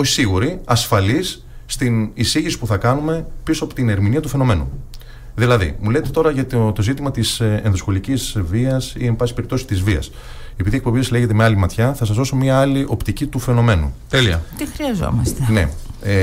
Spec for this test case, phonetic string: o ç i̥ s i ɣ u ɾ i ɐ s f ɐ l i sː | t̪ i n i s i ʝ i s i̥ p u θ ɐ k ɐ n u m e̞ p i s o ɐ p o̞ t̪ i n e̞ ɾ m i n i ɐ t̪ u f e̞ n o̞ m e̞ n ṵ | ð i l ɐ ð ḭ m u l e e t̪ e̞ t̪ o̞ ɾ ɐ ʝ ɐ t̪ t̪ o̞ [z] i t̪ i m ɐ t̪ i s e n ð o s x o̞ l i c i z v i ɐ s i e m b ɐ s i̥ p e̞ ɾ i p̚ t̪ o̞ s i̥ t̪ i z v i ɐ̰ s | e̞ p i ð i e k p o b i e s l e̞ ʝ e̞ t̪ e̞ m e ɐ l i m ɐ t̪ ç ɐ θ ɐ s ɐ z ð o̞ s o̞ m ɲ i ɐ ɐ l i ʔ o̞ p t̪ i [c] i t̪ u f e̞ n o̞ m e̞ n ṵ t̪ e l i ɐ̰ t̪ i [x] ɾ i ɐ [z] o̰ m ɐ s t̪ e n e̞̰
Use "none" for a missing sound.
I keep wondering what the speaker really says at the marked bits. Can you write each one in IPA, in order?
z, c, x, z

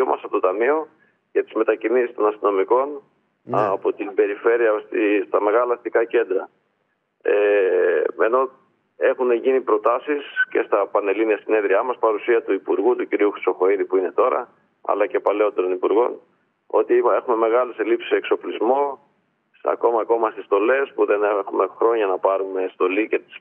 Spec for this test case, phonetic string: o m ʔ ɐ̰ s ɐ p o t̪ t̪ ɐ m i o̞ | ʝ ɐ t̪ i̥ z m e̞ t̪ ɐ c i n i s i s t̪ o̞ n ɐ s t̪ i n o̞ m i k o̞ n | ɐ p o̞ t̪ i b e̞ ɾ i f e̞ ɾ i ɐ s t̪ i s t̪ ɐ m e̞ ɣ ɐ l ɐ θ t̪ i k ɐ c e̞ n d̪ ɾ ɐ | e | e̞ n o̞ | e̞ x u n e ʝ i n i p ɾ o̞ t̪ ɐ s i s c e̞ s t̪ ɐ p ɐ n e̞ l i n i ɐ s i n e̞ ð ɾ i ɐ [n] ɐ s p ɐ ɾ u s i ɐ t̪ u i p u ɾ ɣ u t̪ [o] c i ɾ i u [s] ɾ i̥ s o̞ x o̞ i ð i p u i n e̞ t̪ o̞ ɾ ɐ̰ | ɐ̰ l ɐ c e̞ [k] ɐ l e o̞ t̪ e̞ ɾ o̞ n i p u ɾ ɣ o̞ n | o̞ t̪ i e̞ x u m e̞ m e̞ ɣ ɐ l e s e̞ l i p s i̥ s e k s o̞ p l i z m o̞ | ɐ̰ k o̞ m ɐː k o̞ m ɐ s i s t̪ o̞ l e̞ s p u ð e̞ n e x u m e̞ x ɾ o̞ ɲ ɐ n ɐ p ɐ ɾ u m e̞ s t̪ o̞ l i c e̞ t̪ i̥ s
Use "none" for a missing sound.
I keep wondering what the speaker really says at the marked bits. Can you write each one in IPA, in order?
m, u, x, p

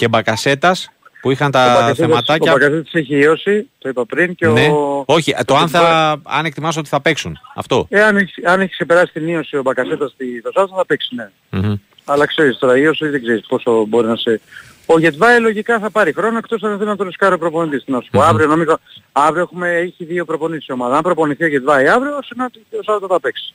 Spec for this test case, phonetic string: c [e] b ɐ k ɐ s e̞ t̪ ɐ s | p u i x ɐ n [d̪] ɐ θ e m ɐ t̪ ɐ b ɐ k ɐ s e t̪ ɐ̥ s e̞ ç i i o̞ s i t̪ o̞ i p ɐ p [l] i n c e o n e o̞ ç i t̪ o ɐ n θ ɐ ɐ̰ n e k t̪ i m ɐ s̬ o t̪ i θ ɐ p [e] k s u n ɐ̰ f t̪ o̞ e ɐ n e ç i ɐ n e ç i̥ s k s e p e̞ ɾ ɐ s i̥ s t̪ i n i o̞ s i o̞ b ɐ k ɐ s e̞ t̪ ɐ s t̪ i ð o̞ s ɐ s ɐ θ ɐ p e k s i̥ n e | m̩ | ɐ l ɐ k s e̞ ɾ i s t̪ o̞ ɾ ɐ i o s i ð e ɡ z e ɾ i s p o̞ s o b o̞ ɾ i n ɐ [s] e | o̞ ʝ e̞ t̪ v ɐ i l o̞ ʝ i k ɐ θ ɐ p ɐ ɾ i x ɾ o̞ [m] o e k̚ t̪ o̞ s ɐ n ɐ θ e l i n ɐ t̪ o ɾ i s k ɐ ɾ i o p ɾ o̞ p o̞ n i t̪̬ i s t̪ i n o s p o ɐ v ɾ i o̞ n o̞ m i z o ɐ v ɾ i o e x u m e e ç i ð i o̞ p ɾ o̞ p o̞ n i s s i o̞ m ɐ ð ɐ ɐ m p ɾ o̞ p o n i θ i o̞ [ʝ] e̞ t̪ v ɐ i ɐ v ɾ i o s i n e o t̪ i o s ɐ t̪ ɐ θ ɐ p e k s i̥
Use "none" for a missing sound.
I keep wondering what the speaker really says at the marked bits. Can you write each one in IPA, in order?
e, t̪, ɾ, e, s, n, ʝ

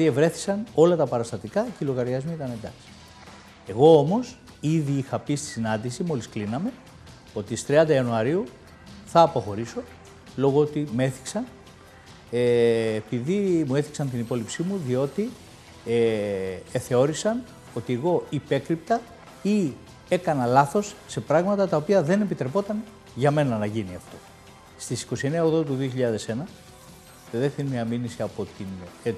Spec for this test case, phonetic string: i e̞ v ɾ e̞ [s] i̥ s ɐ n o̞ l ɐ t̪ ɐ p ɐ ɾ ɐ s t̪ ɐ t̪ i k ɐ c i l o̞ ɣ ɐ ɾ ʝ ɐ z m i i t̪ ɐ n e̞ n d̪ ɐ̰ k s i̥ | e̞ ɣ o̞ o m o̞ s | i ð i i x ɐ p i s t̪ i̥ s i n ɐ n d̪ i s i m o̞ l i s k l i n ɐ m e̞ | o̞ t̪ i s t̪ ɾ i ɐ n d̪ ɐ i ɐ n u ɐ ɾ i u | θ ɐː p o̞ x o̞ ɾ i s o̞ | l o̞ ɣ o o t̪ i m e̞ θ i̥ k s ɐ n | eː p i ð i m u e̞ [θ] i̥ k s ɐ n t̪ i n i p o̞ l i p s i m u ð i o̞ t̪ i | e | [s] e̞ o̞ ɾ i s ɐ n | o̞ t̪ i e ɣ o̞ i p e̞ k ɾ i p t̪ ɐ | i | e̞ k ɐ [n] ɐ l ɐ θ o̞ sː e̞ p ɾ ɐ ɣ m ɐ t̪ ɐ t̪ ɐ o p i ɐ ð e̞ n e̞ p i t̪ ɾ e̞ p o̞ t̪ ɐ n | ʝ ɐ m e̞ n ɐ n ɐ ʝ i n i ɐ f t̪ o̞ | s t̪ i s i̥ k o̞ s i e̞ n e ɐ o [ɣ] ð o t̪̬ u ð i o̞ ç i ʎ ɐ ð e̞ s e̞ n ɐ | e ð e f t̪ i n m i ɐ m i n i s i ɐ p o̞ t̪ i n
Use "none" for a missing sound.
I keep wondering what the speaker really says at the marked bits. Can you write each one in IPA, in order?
θ, θ, θ, n, ɣ

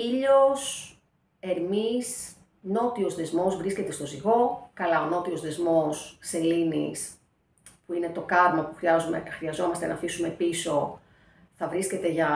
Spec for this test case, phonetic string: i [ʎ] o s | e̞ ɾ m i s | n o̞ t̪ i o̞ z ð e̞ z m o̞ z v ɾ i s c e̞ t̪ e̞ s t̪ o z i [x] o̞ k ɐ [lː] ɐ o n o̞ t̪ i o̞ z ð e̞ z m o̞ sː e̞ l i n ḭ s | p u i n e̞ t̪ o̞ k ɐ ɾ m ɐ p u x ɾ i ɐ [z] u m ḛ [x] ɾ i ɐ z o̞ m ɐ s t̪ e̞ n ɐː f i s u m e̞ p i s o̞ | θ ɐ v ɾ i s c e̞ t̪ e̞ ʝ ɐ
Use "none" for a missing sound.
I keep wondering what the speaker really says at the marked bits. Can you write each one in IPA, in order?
ʎ, ɣ, l, z, x

